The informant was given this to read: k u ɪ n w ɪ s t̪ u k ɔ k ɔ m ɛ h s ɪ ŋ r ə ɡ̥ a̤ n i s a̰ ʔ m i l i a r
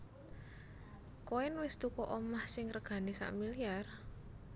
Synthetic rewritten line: k o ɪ n w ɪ s t̪ u k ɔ ʔ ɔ m a h s ɪ ŋ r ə ɡ̥ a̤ n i s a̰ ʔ m i l i a r

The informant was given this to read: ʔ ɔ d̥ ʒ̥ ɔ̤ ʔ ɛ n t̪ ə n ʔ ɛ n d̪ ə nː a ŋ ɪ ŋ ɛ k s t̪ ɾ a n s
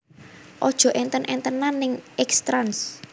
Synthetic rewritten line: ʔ ɔ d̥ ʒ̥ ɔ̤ ʔ ɛ n t̪ ə n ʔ ɛ n t̪ ə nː a n ɪ ŋ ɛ k s t̪ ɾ a n s

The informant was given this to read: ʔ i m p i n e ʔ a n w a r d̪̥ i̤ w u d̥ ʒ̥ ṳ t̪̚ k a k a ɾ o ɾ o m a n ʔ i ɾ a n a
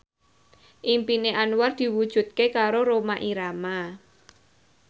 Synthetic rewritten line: ʔ i m p i n e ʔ a n w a r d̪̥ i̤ w u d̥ ʒ̥ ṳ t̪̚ k e k a ɾ o ɾ o m a ʔ i ɾ a m a

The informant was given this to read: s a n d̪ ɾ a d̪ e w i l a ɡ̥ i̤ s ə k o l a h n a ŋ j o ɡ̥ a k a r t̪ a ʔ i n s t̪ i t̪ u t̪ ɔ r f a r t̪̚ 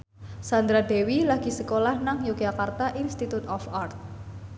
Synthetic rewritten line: s a n d̪ ɾ a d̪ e w i l a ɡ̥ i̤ s ə k o l a h n a ŋ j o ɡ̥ a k a r t̪ a ʔ i n s t̪ i t̪ u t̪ ɔ f a r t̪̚

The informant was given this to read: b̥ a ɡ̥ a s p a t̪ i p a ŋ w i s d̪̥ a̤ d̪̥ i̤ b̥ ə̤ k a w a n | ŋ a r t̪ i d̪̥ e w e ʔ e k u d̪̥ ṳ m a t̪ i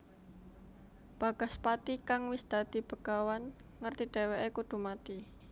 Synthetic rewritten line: b̥ a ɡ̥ a s p a t̪ i k a ŋ w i s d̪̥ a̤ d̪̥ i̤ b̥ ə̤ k a w a n | ŋ ə r t̪ i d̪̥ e w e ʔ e k u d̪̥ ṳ m a t̪ i

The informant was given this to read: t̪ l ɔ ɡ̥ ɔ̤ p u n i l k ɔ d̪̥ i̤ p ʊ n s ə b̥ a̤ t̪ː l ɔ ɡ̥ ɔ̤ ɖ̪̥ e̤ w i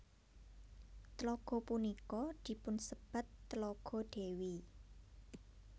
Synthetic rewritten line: t̪ l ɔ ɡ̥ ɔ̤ p u n i k ɔ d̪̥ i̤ p ʊ n s ə b̥ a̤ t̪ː l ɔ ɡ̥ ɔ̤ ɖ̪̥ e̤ w i

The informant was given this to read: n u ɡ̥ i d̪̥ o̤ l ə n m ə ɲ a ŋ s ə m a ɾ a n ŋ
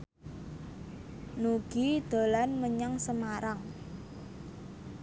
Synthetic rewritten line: n u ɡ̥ i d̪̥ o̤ l a n m ə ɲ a ŋ s ə m a ɾ a ŋ

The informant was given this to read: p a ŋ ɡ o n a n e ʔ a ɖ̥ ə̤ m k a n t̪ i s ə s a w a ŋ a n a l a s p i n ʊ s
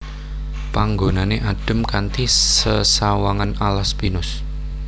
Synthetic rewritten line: p a ŋ ɡ o n a n e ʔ a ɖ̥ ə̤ m k a n t̪ i s ə s a w a ŋ a n a l a s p i n ʊ s

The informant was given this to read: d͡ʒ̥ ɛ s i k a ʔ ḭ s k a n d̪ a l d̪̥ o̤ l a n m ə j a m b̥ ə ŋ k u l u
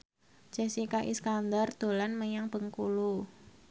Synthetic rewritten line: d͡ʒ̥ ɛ s i k a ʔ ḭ s k a n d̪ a r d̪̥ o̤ l a n m ə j a ŋ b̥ ə ŋ k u l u

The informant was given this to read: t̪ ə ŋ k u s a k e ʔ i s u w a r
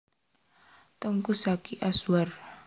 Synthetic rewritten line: t̪ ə ŋ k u s a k i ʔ a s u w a r

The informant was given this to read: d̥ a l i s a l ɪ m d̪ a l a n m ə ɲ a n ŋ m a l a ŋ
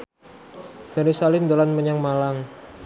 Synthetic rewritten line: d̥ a ɾ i s a l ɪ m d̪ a l a n m ə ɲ a ŋ m a l a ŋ

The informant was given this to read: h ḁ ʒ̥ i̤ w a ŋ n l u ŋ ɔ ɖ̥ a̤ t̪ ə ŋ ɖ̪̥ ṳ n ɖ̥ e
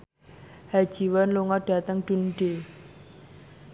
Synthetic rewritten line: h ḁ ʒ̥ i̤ w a n l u ŋ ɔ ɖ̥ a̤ t̪ ə ŋ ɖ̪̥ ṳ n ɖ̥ e

